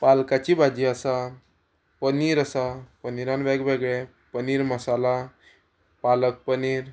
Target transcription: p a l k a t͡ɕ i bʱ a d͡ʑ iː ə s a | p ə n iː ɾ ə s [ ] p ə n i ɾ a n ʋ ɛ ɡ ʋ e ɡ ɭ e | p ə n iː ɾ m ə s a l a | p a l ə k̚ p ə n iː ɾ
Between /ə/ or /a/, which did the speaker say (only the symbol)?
a